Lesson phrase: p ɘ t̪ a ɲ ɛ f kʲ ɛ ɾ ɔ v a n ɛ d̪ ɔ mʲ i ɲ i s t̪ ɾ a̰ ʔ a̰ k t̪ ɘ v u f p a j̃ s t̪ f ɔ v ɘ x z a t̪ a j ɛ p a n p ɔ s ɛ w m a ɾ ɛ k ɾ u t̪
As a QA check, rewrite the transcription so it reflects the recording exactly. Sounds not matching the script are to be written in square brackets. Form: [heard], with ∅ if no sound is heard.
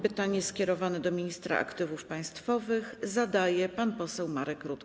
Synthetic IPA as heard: p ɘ t̪ a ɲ ɛ [s] kʲ ɛ ɾ ɔ v a n ɛ d̪ ɔ mʲ i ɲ i s t̪ ɾ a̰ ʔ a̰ k t̪ ɘ v u f p a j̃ s t̪ f ɔ v ɘ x z a [d̪] a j ɛ p a n p ɔ s ɛ w m a ɾ ɛ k ɾ u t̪